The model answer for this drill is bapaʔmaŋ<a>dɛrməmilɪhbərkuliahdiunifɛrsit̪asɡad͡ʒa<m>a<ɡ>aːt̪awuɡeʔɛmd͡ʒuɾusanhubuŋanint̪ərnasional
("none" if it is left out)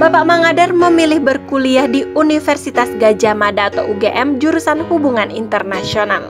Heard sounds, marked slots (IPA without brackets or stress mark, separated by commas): a, m, d